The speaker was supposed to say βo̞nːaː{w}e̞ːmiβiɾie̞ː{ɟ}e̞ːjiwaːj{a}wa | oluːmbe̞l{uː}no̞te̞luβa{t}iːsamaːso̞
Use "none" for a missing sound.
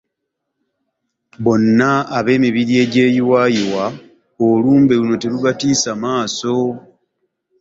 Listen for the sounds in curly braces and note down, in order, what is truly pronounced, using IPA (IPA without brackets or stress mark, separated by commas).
β, ɟ, i, u, t